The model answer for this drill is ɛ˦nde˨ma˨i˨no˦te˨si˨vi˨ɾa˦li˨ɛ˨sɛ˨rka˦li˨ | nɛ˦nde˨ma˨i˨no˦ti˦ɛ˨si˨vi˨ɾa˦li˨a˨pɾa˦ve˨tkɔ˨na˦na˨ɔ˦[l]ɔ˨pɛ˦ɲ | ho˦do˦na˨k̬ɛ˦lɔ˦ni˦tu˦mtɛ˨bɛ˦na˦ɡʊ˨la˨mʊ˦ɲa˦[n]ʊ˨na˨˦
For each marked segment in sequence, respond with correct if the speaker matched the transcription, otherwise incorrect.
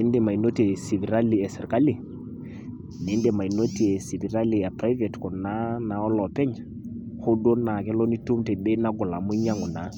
correct, incorrect

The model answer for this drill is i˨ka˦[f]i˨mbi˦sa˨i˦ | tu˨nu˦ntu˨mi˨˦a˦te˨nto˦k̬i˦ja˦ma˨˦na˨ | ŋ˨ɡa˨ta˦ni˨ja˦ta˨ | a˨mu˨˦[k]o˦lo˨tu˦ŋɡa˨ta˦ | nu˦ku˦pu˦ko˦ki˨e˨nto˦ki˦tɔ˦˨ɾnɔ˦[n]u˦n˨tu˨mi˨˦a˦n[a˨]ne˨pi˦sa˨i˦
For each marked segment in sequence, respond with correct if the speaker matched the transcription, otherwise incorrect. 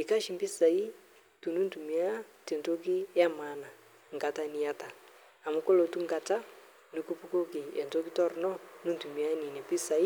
incorrect, correct, correct, incorrect

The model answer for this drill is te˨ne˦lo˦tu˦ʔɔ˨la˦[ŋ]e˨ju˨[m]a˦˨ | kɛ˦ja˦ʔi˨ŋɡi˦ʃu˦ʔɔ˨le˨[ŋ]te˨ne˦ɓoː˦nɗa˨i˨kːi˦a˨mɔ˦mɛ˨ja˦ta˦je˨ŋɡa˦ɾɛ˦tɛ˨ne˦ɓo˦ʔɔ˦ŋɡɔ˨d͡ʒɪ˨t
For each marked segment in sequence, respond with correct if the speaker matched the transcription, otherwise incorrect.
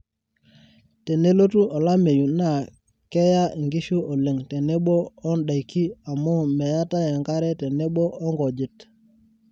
incorrect, incorrect, correct

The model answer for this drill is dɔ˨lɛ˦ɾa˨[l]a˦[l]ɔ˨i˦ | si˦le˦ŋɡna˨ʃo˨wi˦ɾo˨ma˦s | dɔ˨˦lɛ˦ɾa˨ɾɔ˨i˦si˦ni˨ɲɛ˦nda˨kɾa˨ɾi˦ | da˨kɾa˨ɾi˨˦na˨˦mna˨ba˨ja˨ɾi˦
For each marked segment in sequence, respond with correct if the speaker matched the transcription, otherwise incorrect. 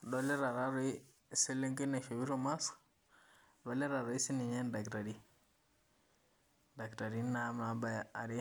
incorrect, incorrect

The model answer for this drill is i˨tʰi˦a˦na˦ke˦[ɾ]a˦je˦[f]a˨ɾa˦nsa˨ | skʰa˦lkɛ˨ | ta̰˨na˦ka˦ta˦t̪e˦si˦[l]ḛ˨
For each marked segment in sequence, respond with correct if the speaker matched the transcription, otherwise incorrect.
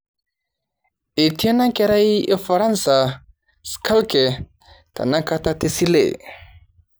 correct, correct, correct

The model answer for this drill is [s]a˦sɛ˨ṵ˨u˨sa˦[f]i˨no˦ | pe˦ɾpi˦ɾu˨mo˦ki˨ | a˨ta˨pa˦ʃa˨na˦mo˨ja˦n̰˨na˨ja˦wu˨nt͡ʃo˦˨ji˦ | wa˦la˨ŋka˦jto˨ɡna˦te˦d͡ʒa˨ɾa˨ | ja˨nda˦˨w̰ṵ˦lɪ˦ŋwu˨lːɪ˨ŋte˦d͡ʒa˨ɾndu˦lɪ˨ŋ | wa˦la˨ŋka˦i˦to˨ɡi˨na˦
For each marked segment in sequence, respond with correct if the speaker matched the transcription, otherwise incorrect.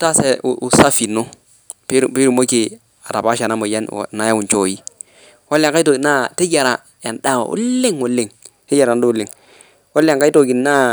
incorrect, correct

